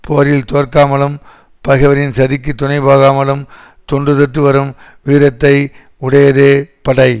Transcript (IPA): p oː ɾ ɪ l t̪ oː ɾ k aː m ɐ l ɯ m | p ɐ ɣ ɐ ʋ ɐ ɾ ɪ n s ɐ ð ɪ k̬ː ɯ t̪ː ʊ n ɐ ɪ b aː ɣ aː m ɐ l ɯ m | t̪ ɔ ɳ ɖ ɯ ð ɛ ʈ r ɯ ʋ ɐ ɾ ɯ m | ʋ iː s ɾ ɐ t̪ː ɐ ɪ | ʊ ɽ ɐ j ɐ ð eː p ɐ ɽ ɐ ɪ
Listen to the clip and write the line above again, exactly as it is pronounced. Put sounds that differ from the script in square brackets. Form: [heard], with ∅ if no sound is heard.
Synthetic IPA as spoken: p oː ɾ ɪ l t̪ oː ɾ k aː m ɐ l ɯ m | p ɐ ɣ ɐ ʋ ɐ ɾ ɪ n s ɐ ð ɪ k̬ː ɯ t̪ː ʊ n ɐ ɪ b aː ɣ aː m ɐ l ɯ m | t̪ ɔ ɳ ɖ ɯ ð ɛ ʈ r ɯ ʋ ɐ ɾ ɯ m | ʋ iː [∅] ɾ ɐ t̪ː ɐ ɪ | ʊ ɽ ɐ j ɐ ð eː p ɐ ɽ ɐ ɪ